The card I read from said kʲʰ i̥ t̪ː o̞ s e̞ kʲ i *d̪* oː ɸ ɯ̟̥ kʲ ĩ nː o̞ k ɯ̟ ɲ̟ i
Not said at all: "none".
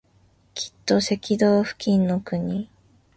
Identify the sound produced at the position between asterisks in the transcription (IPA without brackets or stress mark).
d̪